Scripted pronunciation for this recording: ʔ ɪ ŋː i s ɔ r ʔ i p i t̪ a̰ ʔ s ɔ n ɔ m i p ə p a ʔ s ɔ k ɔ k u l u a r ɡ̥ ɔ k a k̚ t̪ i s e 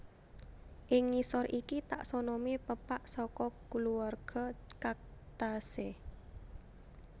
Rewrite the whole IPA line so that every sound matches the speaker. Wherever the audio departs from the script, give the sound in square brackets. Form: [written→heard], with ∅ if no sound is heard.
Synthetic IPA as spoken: ʔ ɪ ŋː i s ɔ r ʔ i [p→k] i t̪ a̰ ʔ s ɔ n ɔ m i p ə p a ʔ s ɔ k ɔ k u l u a r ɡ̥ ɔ k a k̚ t̪ [i→a] s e